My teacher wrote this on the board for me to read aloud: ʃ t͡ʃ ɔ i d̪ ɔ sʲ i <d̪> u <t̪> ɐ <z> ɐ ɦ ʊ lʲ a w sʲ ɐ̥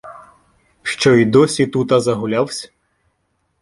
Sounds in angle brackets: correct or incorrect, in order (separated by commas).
incorrect, correct, correct